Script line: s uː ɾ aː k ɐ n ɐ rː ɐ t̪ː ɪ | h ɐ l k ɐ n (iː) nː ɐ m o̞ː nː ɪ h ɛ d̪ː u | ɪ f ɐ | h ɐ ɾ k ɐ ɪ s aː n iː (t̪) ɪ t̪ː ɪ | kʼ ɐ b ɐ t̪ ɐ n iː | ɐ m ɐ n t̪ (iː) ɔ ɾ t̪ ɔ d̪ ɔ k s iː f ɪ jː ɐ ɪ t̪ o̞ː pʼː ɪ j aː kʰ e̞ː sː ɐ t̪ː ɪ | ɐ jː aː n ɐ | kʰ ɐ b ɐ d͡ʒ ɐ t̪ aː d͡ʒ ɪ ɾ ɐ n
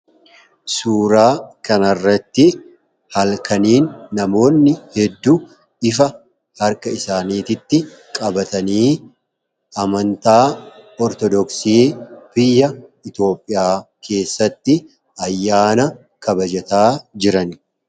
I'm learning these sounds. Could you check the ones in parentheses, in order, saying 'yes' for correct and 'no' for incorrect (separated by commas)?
yes, yes, no